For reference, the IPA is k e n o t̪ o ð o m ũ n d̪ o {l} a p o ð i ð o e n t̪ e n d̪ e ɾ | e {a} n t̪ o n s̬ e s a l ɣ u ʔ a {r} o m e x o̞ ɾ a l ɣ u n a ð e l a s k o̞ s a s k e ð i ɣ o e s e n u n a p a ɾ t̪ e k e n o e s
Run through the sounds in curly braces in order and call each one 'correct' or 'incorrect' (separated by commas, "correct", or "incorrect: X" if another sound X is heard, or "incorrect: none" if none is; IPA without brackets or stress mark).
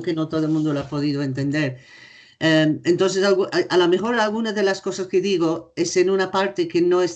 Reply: correct, incorrect: e, incorrect: l